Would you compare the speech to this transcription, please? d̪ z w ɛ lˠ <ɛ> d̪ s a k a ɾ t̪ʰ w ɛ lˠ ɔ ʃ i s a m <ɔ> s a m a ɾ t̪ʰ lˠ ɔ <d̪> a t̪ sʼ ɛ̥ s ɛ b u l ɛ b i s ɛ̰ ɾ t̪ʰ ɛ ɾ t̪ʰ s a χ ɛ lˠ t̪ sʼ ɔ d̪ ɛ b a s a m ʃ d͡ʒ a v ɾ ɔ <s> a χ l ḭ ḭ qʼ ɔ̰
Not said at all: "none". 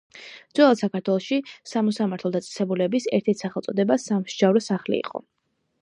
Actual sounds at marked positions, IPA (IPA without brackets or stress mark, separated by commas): a, ɔ, d̪, s